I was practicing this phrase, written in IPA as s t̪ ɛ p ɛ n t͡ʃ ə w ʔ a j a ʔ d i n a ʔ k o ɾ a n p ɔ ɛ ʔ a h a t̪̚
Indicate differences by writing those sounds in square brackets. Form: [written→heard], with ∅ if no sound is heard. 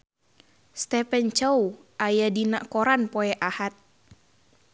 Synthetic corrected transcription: s t̪ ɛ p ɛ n t͡ʃ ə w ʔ a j a [ʔ→∅] d i n a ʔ k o ɾ a n p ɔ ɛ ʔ a h a t̪̚

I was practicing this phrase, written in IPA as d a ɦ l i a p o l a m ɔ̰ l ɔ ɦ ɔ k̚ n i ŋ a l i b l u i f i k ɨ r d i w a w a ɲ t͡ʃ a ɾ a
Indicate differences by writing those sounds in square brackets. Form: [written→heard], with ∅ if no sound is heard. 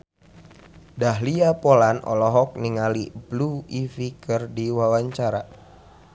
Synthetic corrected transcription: d a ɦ l i a p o l a [m→n] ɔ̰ l ɔ ɦ ɔ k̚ n i ŋ a l i b l u i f i k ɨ r d i w a w a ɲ t͡ʃ a ɾ a

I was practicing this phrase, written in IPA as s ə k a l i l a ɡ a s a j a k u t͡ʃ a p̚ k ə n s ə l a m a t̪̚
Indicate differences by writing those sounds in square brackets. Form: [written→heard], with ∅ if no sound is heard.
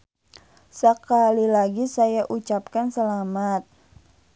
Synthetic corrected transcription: s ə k a l i l a ɡ [a→i] s a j a [k→ʔ] u t͡ʃ a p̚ k [ə→a] n s ə l a m a t̪̚

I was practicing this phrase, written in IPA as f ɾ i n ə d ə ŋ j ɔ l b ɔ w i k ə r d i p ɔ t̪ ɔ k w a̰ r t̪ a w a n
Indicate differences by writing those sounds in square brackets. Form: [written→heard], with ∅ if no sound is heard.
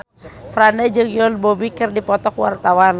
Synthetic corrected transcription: f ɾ [i→a] n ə [d→d͡ʒ] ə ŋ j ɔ l b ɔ [w→b] i k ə r d i p ɔ t̪ ɔ k w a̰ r t̪ a w a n

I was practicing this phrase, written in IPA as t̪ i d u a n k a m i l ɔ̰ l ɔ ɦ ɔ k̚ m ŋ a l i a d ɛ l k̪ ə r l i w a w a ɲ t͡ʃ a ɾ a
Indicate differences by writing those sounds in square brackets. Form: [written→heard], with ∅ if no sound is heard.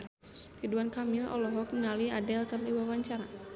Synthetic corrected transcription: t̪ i d u a n k a m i l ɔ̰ l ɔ ɦ ɔ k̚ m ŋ a l i a d ɛ l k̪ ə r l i w a w a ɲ t͡ʃ a ɾ a

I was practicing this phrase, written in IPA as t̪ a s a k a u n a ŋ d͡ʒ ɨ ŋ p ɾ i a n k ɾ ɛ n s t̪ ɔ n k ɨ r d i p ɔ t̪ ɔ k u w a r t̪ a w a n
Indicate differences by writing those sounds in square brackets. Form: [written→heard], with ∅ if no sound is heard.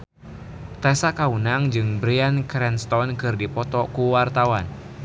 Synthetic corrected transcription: t̪ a s a k a u n a ŋ d͡ʒ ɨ ŋ [p→b] ɾ i a n k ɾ ɛ n s t̪ ɔ n k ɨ r d i p ɔ t̪ ɔ k u w a r t̪ a w a n

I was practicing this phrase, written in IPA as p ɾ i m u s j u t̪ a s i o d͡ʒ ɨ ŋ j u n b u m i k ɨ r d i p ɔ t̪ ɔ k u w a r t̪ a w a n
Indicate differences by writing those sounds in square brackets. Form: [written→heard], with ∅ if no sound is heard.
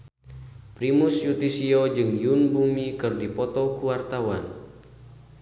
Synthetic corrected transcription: p ɾ i m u s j u t̪ [a→i] s i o d͡ʒ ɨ ŋ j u n b u m i k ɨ r d i p ɔ t̪ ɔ k u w a r t̪ a w a n

